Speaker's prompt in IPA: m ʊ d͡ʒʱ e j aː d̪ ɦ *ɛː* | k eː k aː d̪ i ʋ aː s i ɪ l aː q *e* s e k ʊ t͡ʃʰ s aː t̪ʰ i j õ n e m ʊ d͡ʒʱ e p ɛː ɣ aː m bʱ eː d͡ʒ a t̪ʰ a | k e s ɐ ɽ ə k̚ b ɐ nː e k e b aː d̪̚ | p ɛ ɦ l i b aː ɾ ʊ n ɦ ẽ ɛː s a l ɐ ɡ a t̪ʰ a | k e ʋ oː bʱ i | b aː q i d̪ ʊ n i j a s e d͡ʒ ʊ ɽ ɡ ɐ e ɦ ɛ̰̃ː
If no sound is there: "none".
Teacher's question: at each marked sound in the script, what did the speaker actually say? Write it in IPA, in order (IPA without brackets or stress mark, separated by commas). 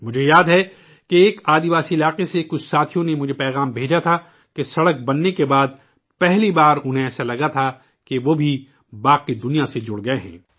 ɛ, e